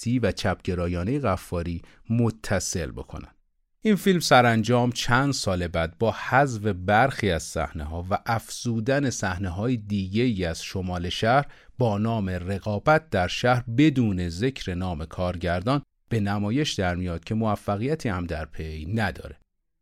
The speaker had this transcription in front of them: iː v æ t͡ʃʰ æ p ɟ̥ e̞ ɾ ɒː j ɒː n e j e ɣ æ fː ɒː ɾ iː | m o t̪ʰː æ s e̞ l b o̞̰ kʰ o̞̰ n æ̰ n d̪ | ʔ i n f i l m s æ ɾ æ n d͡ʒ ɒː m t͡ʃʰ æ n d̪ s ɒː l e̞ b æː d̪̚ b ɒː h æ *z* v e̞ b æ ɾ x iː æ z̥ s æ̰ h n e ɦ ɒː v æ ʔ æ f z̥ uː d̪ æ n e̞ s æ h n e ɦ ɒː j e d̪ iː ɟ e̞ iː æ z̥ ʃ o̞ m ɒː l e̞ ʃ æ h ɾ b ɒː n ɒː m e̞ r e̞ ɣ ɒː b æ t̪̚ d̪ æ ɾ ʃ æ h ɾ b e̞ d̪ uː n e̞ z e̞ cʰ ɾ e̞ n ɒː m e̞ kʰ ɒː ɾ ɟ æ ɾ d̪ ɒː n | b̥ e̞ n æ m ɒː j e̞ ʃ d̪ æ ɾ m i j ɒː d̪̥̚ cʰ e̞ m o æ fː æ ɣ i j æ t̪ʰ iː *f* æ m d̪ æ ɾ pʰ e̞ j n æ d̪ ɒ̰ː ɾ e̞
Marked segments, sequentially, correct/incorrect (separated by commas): correct, incorrect